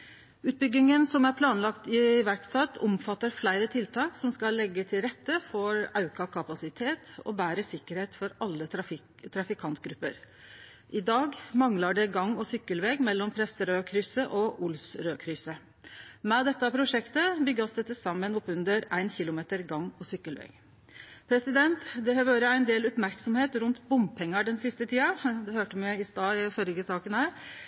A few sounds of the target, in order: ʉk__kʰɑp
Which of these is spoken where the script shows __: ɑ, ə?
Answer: ɑ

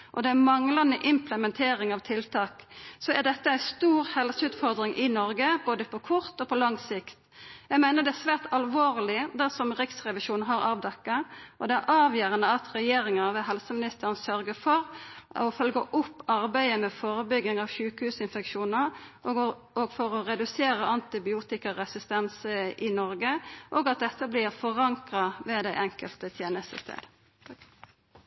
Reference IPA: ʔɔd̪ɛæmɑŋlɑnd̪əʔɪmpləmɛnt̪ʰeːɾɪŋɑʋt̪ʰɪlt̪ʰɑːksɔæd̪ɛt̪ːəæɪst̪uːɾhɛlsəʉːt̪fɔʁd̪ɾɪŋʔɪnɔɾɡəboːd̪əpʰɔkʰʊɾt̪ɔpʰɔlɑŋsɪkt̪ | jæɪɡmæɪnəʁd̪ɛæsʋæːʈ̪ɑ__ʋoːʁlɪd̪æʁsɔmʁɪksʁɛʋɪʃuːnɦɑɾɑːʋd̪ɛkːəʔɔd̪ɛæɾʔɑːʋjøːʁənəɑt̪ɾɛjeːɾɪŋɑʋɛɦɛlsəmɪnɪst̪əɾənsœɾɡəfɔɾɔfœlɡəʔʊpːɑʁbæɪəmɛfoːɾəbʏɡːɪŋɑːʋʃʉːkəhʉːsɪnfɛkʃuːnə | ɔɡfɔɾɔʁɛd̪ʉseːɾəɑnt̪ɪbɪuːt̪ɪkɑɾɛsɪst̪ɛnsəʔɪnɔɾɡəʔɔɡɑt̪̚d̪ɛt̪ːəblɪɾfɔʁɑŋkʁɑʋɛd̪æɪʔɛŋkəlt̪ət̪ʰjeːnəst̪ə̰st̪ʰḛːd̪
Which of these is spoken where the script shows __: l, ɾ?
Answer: l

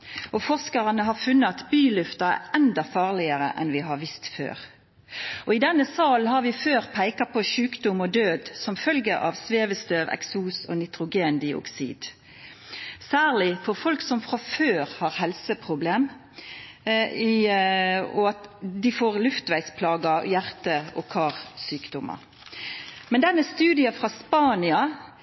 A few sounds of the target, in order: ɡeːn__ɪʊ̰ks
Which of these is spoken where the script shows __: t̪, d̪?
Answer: d̪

